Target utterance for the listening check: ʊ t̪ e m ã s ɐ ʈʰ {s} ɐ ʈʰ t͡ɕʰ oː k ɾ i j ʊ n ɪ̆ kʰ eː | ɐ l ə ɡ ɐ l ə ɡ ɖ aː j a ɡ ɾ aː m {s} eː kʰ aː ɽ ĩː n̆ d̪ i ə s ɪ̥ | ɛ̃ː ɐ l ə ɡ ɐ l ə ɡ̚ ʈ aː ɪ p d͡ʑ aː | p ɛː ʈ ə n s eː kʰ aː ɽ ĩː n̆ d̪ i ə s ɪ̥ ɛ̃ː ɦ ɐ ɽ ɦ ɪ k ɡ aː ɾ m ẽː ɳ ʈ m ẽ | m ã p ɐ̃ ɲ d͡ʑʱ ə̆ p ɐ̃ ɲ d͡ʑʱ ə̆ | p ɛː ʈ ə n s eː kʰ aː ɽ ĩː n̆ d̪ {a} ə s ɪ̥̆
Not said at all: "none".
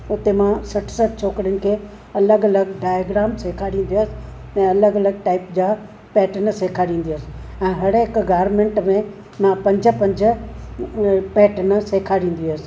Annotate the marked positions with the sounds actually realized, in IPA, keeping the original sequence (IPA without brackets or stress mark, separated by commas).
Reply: s, s, i